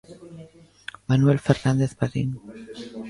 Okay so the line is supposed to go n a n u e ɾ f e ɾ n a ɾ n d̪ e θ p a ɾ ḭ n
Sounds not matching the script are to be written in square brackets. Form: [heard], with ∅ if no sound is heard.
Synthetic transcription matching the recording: [m] a n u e [l] f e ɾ n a [∅] n d̪ e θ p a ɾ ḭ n